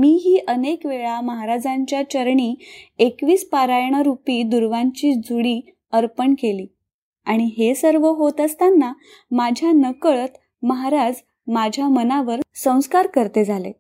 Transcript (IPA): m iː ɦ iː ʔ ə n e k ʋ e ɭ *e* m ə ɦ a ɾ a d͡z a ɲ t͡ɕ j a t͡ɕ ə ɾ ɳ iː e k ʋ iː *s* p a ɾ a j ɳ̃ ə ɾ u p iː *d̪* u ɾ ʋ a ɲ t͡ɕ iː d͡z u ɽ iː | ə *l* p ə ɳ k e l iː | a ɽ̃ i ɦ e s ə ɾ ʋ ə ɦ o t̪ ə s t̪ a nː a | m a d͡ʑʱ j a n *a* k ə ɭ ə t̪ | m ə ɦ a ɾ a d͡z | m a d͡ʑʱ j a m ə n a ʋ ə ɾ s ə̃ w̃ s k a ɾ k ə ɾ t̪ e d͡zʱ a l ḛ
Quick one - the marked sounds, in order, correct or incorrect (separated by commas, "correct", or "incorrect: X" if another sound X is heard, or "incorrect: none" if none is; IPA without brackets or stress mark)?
incorrect: a, correct, correct, incorrect: ɾ, incorrect: ə